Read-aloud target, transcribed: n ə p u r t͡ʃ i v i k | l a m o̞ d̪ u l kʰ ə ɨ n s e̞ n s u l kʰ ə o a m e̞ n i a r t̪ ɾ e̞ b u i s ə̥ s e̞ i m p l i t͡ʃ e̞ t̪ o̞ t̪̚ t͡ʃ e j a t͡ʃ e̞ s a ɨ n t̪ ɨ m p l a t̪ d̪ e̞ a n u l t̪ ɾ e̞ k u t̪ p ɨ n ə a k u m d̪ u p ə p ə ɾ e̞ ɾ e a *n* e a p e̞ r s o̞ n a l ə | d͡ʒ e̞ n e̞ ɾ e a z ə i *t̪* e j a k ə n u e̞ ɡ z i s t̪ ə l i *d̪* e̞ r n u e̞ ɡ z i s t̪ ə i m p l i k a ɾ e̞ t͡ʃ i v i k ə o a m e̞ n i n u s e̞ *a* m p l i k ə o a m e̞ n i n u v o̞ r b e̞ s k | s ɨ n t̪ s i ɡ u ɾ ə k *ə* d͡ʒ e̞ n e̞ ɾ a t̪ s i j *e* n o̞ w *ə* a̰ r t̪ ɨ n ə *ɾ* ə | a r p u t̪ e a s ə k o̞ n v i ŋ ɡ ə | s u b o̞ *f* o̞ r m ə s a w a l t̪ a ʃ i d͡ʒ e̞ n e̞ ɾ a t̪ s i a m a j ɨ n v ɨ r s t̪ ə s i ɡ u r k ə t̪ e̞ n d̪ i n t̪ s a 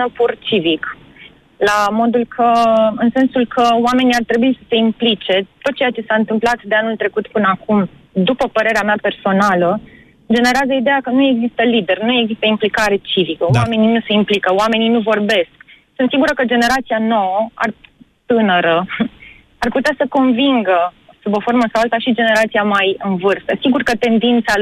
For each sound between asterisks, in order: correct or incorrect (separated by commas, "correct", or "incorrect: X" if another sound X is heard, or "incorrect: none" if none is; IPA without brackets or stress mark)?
incorrect: m, incorrect: d̪, correct, incorrect: i, correct, incorrect: a, correct, correct, correct